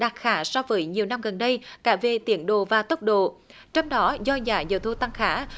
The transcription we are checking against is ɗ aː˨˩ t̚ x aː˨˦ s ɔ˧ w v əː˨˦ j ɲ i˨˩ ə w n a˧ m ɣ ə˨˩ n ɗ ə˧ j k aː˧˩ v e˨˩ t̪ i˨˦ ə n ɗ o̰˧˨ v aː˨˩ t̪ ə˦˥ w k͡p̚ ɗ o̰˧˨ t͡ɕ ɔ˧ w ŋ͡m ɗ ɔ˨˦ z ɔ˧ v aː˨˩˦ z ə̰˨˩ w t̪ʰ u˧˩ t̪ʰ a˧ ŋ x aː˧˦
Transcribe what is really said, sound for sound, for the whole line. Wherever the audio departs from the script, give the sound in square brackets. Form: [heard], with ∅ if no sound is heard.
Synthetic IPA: ɗ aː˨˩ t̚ x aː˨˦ s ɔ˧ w v əː˨˦ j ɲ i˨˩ ə w n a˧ m ɣ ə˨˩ n ɗ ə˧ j k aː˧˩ v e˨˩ t̪ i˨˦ ə n ɗ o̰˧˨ v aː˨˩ t̪ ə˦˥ w k͡p̚ ɗ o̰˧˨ t͡ɕ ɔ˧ w ŋ͡m ɗ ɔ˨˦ z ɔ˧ [z] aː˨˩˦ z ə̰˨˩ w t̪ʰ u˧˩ [t̪] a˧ ŋ x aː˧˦